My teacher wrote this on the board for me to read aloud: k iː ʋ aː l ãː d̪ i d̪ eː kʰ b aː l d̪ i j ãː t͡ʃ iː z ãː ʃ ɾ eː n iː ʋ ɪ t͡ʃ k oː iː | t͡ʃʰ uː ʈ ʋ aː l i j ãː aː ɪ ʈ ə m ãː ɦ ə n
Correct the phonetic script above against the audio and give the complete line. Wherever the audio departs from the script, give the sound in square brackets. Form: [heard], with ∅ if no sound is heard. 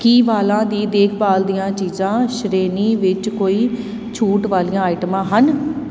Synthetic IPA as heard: k iː ʋ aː l ãː d̪ [iː] d̪ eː kʰ b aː l d̪ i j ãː t͡ʃ iː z ãː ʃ ɾ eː n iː ʋ ɪ t͡ʃ k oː iː | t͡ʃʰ uː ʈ ʋ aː l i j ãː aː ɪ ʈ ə m ãː ɦ ə n